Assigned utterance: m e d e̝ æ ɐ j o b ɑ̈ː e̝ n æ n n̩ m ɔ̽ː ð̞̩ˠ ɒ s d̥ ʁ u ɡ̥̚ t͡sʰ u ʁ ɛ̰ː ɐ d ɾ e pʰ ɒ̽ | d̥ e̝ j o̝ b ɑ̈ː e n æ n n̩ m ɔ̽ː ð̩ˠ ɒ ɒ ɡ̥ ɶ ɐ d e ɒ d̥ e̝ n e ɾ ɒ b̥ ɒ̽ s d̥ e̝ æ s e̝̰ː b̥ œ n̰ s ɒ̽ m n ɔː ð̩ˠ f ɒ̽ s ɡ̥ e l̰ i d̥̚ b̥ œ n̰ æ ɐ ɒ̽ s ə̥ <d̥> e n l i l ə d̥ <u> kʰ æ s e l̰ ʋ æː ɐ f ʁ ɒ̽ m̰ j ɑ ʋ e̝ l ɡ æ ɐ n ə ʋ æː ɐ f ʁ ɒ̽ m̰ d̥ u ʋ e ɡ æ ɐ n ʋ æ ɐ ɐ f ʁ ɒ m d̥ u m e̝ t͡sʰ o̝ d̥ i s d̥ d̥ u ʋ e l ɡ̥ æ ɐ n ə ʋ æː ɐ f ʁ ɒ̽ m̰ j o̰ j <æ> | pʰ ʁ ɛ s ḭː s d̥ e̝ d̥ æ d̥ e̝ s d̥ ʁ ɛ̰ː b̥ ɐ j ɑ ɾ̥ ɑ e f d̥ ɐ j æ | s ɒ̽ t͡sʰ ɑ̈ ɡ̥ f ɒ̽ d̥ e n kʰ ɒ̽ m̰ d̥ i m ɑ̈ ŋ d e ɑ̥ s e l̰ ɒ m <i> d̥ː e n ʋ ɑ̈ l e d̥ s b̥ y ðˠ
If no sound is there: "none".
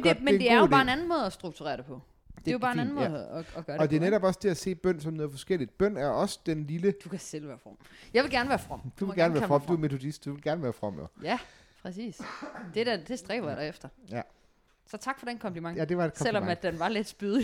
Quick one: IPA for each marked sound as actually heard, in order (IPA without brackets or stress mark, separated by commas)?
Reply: d̥, u, æ, æ